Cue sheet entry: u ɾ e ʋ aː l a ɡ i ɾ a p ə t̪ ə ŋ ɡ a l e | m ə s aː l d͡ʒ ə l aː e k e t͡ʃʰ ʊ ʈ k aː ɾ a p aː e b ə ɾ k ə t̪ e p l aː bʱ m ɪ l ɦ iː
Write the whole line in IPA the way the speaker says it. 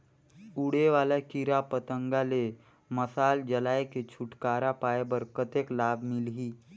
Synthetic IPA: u ɽ e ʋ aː l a k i ɾ a p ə t̪ ə ŋ ɡ a l e | m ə s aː l d͡ʒ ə l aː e k e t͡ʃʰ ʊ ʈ k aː ɾ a p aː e b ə ɾ k ə t̪ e k l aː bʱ m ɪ l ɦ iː